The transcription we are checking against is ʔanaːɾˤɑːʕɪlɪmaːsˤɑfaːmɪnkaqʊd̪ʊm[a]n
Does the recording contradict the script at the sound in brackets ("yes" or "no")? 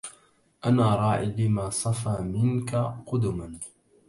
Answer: no